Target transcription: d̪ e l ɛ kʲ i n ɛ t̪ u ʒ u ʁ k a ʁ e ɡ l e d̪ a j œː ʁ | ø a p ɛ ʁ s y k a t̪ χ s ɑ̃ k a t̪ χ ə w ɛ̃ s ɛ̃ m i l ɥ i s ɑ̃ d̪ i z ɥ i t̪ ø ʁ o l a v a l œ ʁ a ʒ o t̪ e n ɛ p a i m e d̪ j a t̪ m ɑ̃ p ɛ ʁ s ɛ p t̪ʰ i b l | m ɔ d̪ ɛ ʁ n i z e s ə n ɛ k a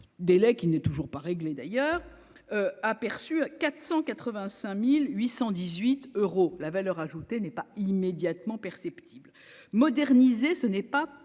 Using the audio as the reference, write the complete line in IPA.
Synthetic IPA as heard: d̪ e l ɛ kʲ i n ɛ t̪ u ʒ u ʁ p a ʁ e ɡ l e d̪ a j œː ʁ | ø a p ɛ ʁ s y k a t̪ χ s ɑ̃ k a t̪ χ ə v ɛ̃ s ɛ̃ m i l ɥ i s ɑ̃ d̪ i z ɥ i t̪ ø ʁ o l a v a l œ ʁ a ʒ u t̪ e n ɛ p a i m e d̪ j a t̪ m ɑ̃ p ɛ ʁ s ɛ p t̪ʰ i b l | m ɔ d̪ ɛ ʁ n i z e s ə n ɛ p a